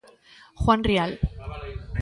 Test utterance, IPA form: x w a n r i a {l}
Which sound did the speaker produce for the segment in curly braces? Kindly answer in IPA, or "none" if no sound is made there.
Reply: l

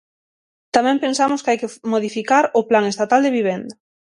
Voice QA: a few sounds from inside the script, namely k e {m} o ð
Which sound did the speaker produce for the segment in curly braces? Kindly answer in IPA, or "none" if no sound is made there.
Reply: m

